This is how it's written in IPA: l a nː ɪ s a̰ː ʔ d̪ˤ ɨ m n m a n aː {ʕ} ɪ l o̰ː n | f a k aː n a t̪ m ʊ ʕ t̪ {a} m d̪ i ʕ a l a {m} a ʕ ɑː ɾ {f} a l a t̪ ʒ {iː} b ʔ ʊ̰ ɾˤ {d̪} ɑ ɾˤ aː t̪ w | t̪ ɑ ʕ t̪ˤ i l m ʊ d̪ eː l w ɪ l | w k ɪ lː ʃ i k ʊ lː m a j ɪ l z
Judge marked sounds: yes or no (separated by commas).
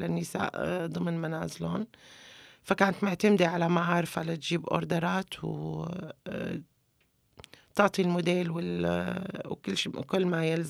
no, yes, yes, yes, yes, yes